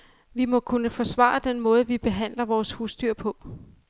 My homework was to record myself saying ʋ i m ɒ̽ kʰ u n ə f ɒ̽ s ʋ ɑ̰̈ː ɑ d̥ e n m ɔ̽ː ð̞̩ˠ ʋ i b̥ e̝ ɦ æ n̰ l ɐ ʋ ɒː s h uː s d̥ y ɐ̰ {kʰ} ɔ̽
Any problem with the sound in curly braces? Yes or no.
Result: yes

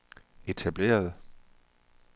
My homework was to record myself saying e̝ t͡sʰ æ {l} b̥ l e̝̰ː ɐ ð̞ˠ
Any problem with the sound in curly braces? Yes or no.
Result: yes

